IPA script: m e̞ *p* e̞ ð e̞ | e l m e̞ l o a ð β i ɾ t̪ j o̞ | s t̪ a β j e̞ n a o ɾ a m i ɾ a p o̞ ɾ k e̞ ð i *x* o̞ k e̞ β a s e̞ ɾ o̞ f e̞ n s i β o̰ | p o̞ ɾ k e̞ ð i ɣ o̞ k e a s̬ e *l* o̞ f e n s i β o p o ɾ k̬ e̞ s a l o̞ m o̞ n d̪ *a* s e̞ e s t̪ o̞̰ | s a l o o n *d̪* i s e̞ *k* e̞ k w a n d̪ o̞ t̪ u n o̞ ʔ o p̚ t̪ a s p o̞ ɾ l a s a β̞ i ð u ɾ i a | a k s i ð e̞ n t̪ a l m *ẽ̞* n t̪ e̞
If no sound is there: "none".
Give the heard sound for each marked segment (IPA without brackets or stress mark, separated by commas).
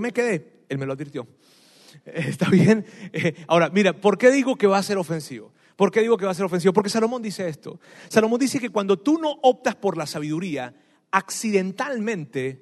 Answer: k, ɣ, ɾ, i, d̪, k, ẽ̞